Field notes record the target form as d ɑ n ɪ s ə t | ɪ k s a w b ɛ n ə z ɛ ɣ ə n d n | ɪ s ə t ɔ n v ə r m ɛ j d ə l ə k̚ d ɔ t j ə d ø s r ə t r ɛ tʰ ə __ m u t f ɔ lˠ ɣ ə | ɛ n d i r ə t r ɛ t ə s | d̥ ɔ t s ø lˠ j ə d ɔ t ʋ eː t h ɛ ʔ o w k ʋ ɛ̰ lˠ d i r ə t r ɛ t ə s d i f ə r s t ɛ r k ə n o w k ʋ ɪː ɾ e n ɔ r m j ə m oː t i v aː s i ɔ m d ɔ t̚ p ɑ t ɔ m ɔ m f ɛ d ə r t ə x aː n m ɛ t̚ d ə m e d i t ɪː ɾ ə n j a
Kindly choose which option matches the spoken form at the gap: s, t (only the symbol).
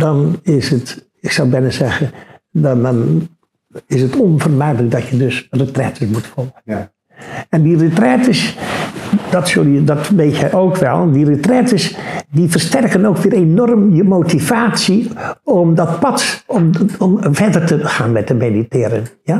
s